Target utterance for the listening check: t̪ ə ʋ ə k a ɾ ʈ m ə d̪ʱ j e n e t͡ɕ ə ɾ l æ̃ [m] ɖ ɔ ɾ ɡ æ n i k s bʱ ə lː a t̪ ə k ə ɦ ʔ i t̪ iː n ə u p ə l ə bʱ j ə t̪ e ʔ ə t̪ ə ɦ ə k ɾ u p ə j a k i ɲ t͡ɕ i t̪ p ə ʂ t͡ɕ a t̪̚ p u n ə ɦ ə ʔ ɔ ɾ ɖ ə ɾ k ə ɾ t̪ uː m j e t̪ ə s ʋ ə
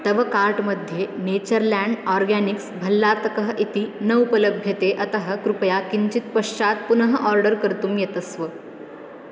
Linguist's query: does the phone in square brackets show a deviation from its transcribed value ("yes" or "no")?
yes